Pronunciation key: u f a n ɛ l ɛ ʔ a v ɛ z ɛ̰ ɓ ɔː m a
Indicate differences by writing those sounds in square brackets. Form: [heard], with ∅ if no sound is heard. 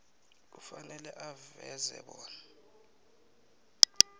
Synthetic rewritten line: u f a n ɛ l ɛ ʔ a v ɛ z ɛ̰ ɓ ɔː [n] a